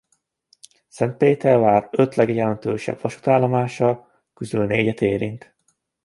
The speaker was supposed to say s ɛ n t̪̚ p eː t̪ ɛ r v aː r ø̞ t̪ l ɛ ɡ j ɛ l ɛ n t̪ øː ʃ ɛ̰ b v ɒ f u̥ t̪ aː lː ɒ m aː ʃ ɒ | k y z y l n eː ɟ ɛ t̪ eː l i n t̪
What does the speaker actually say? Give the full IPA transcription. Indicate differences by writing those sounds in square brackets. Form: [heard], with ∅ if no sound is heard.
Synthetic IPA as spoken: s ɛ n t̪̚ p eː t̪ ɛ r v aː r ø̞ t̪ l ɛ ɡ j ɛ l ɛ n t̪ øː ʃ ɛ̰ b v ɒ [ʃ] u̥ t̪ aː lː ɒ m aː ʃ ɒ | k y z y l n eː ɟ ɛ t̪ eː [ɾ] i n t̪